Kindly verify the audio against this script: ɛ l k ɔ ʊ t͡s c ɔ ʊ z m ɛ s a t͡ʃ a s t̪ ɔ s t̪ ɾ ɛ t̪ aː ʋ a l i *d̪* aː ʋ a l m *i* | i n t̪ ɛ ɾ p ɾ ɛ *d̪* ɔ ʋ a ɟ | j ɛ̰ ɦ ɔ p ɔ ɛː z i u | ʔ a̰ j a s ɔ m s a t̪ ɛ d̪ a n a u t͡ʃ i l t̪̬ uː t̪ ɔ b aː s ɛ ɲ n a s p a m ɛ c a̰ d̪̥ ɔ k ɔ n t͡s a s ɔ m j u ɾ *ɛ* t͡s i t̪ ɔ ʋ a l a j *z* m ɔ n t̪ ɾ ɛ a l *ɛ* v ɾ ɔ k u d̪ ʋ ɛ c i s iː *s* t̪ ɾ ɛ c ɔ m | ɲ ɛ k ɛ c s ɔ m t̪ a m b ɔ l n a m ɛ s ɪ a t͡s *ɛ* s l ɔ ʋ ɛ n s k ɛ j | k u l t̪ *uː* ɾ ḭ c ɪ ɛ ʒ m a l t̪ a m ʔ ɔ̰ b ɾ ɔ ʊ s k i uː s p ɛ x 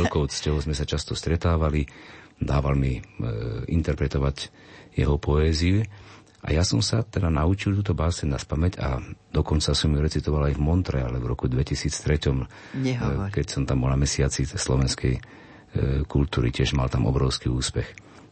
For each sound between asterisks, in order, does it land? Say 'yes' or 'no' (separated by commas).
yes, yes, no, yes, no, yes, no, no, yes